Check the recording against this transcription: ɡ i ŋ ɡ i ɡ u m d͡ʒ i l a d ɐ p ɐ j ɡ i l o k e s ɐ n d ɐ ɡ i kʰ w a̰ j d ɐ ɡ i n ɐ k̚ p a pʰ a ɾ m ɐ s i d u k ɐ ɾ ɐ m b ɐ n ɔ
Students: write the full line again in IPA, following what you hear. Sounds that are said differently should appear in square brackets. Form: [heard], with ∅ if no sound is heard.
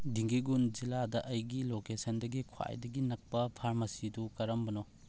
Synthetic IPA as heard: [d] i ŋ ɡ i ɡ u [n] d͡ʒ i l a d ɐ [ʔ] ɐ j ɡ i l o k e s ɐ n d ɐ ɡ i kʰ w a̰ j d ɐ ɡ i n ɐ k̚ p [ɐ] pʰ a ɾ m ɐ s i d u k ɐ ɾ ɐ m b ɐ n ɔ